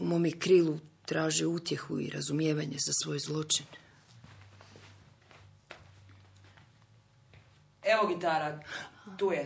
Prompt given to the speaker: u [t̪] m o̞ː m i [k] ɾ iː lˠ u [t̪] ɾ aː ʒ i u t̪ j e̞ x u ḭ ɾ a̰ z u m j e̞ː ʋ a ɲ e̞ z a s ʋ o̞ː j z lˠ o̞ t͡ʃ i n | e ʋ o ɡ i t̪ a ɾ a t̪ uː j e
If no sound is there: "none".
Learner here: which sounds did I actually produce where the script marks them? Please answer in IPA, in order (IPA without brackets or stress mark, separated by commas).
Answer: none, k, t̪